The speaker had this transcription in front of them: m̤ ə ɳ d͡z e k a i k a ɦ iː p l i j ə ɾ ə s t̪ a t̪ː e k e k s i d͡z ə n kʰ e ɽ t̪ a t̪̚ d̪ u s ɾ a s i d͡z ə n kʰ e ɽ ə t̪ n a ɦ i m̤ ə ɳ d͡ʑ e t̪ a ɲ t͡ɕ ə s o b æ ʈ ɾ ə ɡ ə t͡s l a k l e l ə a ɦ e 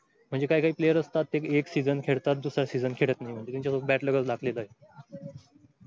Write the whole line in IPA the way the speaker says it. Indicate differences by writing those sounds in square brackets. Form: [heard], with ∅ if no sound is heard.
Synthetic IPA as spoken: m̤ ə ɳ d͡z e k a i k a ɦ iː p l [e] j ə ɾ ə s t̪ a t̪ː e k e k s i d͡z ə n kʰ e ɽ t̪ a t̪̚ d̪ u s ɾ a s i d͡z ə n kʰ e ɽ ə t̪ n a ɦ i m̤ ə ɳ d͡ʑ e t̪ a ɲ t͡ɕ [a] s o b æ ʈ [l] ə ɡ ə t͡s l a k l e l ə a ɦ e